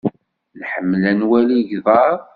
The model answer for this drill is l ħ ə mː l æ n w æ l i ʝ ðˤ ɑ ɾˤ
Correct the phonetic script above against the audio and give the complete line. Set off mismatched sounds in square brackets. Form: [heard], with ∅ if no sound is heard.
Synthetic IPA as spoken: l ħ ə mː l æ n w æ l i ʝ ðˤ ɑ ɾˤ